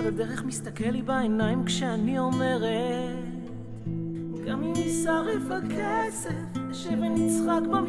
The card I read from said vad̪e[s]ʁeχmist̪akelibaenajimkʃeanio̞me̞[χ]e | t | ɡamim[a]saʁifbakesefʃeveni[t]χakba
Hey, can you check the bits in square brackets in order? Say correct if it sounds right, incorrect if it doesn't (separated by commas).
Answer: incorrect, incorrect, incorrect, incorrect